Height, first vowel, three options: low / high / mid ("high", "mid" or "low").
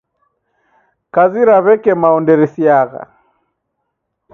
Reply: low